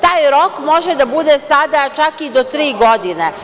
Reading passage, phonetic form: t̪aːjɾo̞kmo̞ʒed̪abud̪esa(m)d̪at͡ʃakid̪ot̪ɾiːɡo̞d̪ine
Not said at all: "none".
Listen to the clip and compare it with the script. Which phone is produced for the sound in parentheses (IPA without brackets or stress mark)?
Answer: none